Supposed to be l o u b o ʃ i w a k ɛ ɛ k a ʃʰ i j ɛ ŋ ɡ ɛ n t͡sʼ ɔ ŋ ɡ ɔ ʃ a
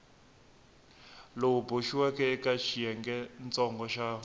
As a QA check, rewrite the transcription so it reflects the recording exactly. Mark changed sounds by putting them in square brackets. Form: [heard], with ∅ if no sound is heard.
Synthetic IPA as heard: l o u b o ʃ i w a k ɛ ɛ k a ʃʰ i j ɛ ŋ ɡ ɛ n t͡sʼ ɔ ŋ ɡ ɔ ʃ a